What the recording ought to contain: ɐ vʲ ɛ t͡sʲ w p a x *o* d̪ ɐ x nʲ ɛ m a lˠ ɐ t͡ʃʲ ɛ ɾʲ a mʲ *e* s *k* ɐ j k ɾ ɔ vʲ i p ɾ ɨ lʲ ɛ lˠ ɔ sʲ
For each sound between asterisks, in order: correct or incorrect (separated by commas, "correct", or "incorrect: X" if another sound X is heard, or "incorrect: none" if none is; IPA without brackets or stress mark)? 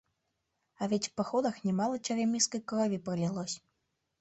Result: incorrect: ɔ, incorrect: i, correct